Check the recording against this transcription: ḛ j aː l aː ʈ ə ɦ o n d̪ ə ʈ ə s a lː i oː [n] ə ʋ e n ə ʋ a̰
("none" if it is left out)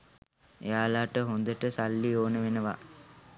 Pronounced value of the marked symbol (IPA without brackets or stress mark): n